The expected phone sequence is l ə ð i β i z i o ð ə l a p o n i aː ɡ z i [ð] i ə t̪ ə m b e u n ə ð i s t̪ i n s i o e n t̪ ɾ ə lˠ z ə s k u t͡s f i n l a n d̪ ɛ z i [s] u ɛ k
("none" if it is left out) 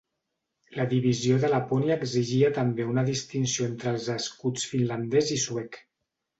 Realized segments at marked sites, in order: ʒ, s

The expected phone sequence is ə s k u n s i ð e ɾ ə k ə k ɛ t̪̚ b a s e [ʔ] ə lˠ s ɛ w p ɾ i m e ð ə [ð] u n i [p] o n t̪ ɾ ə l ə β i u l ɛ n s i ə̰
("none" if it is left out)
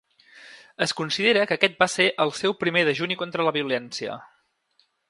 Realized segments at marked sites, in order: ʔ, ʒ, k

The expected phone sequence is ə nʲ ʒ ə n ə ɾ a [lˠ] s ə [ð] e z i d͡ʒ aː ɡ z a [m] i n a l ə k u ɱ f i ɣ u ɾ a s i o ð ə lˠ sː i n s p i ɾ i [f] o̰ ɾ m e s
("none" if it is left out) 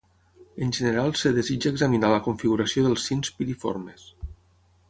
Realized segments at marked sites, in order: lˠ, ð, m, f

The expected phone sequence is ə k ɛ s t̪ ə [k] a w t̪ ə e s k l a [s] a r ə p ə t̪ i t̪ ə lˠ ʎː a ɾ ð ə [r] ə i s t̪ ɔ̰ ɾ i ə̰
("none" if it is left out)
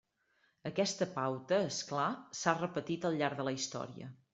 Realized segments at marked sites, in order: p, s, l

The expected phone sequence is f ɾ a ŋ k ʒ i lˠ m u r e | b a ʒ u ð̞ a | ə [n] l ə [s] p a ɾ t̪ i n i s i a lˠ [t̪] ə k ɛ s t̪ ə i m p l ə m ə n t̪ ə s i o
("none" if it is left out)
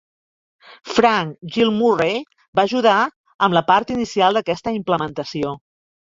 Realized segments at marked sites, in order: m, none, d̪

